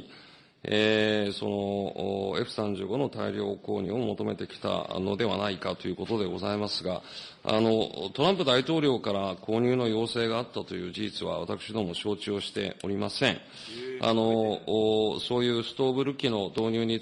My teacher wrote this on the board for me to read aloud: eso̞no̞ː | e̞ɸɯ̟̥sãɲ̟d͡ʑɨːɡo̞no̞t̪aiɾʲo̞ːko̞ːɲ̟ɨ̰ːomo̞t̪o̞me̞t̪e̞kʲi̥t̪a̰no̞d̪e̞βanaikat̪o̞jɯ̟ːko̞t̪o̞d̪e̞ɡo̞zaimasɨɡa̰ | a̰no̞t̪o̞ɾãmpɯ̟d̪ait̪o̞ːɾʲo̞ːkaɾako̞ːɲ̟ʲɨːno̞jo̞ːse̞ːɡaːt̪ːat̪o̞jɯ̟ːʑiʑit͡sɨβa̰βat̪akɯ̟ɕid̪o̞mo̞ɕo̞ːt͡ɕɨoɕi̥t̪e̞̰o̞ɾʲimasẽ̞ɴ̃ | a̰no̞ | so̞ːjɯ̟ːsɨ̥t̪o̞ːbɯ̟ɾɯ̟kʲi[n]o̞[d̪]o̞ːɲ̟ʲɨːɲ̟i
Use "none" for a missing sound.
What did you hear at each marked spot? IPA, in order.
n, d̪

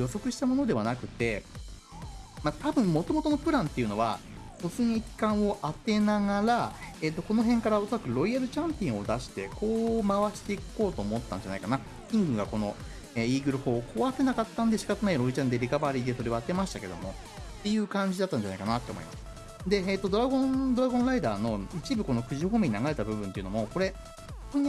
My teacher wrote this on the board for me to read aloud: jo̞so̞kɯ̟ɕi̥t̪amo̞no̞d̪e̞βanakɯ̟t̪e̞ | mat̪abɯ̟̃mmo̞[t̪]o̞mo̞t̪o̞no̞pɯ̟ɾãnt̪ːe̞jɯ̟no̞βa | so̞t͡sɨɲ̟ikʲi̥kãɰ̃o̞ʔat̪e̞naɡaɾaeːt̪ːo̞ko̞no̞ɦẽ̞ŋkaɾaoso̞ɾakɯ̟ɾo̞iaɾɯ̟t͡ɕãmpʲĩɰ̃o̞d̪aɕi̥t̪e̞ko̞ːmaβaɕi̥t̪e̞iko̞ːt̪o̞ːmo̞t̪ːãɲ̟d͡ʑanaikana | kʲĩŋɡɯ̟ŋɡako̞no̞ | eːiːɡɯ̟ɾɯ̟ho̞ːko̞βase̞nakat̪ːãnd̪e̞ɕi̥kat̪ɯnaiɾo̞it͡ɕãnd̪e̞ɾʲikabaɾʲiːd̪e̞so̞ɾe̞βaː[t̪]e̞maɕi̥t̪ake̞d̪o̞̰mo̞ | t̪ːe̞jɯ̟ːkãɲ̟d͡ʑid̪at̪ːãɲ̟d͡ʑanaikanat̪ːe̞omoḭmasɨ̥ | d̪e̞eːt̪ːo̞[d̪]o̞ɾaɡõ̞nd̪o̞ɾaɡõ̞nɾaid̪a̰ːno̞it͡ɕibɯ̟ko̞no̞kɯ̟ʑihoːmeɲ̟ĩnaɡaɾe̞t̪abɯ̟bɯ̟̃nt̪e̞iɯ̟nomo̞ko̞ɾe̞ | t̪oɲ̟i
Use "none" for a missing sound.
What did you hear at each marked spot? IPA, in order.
t̪, t̪, d̪

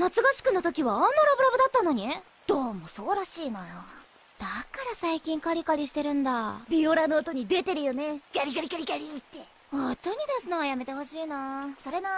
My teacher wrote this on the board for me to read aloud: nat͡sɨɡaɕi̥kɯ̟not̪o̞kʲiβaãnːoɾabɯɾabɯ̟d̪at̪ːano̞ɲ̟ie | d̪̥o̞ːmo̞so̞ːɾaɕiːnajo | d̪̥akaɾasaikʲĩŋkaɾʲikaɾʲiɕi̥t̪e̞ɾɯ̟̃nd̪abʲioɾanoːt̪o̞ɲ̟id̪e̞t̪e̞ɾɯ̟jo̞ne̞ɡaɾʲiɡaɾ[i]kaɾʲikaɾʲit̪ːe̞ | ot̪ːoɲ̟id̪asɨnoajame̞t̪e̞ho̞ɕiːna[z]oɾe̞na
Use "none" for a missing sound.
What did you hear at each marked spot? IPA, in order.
i, s

